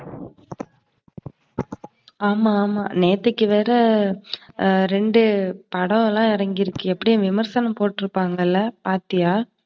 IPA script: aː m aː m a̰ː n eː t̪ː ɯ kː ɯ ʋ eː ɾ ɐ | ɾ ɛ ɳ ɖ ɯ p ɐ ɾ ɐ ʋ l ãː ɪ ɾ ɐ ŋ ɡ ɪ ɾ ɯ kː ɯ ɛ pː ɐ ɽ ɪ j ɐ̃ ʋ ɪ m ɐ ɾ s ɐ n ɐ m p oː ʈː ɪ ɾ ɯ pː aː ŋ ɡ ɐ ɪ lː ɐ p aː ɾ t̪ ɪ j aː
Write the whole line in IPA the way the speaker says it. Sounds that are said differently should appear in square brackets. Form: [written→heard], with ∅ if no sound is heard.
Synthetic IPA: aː m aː m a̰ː n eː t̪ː ɯ kː ɯ ʋ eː ɾ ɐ | ɾ ɛ ɳ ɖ ɯ p ɐ [ɾ→ɽ] ɐ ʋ l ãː ɪ ɾ ɐ ŋ ɡ ɪ ɾ ɯ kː ɯ ɛ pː ɐ ɽ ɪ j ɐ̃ ʋ ɪ m ɐ ɾ s ɐ n ɐ m p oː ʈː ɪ ɾ ɯ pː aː ŋ ɡ ɐ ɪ lː ɐ p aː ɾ t̪ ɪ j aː

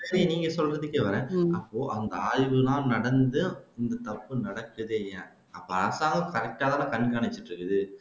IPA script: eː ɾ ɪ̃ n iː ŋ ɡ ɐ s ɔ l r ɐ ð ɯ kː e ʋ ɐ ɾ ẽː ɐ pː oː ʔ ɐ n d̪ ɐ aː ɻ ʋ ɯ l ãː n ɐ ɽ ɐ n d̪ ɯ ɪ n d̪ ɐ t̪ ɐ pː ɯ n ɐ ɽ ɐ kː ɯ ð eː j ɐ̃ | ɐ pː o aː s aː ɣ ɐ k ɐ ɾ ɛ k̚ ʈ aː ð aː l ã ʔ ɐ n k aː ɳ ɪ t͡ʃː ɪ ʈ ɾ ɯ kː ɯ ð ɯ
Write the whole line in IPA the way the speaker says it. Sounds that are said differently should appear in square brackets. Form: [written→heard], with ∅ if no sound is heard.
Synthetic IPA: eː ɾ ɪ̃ n iː ŋ ɡ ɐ s ɔ l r ɐ ð ɯ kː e ʋ ɐ ɾ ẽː ɐ pː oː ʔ ɐ n d̪ ɐ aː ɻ ʋ ɯ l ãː n ɐ ɽ ɐ n d̪ ɯ ɪ n d̪ ɐ t̪ ɐ pː ɯ n ɐ ɽ ɐ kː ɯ ð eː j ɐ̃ | ɐ pː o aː s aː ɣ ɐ k ɐ ɾ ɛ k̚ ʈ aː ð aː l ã [ʔ→k] ɐ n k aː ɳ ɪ t͡ʃː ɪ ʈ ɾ ɯ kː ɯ ð ɯ

